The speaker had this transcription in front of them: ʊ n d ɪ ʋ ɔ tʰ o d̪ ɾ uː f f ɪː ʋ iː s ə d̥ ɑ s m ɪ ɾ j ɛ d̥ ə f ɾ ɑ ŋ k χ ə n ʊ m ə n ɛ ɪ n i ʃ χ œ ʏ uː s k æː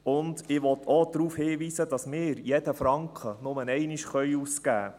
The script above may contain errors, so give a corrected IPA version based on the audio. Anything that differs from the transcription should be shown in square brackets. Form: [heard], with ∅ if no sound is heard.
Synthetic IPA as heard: ʊ n d ɪ ʋ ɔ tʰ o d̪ ɾ uː f [h] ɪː ʋ iː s ə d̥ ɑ s m [ɪː] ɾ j ɛ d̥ ə f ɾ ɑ ŋ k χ ə n ʊ m ə n ɛ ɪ n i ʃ χ œ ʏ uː s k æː